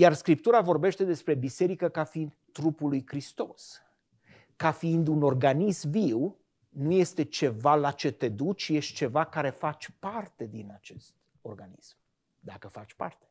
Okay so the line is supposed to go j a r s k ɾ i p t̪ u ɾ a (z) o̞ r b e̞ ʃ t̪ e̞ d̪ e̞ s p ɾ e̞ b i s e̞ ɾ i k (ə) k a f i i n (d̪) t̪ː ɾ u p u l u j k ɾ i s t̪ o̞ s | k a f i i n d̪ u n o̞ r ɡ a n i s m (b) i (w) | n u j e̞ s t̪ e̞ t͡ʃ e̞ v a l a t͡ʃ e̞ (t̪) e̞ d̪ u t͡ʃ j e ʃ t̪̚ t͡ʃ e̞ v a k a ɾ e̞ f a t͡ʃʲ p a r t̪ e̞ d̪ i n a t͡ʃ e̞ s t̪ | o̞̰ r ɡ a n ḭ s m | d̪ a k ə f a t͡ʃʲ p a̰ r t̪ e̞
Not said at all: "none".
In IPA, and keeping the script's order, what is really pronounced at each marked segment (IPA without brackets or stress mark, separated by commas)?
v, ə, d̪, v, w, t̪